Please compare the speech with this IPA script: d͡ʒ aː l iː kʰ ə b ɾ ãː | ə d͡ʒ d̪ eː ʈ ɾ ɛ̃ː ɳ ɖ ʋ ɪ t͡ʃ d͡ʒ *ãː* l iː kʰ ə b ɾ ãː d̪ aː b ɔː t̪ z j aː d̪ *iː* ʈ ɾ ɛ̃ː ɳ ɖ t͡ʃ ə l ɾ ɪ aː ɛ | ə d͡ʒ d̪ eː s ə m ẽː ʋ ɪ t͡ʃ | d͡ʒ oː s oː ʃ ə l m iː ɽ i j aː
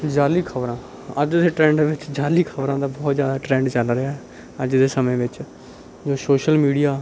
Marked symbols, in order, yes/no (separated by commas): no, no